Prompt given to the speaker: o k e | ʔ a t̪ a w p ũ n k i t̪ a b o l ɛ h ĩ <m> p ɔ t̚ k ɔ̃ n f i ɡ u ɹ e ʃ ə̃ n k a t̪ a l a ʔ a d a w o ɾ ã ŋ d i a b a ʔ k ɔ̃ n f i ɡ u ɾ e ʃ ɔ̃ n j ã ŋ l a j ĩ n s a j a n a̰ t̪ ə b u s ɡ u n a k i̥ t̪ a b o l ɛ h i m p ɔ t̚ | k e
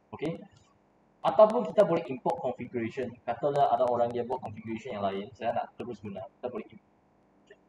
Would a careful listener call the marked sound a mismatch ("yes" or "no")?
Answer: no